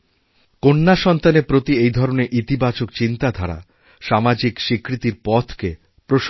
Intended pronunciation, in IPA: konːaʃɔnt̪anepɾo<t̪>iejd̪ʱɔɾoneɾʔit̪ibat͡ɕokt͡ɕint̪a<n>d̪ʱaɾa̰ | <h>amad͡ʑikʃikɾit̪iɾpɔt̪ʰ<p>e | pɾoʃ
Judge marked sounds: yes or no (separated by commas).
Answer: yes, no, no, no